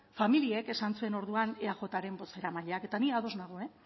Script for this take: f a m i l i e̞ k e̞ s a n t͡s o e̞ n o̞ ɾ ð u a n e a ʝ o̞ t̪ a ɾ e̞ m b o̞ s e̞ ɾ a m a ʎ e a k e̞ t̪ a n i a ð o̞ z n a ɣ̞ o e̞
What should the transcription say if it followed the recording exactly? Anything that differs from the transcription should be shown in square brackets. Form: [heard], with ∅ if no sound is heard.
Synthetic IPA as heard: f a m i l i e̞ k e̞ s a n t͡s [u] e̞ n o̞ ɾ ð u a n e a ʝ o̞ t̪ a ɾ e̞ m b o̞ s e̞ ɾ a m a ʎ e a k e̞ t̪ a n i a ð o̞ z n a ɣ̞ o e̞